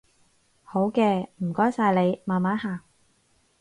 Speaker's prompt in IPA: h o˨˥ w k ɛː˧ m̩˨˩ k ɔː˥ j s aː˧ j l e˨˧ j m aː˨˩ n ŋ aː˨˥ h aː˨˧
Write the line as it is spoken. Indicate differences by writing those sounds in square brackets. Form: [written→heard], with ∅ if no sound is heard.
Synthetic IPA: h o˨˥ w k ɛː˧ m̩˨˩ k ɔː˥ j s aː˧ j l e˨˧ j m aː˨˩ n [ŋ→m] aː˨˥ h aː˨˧